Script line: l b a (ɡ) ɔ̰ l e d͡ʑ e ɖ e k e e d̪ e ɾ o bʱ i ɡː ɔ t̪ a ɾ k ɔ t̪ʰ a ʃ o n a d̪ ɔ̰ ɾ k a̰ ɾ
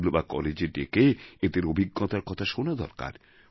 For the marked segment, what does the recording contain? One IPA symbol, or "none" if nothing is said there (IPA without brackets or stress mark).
k